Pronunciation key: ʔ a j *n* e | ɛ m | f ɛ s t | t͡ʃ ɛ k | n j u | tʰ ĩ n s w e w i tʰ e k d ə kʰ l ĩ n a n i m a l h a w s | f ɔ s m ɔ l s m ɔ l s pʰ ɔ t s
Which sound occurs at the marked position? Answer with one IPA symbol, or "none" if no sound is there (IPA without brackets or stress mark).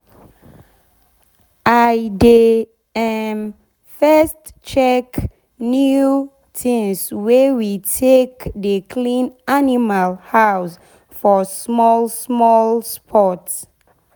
d